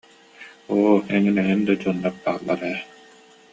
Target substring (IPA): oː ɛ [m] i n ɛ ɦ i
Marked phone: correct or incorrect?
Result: incorrect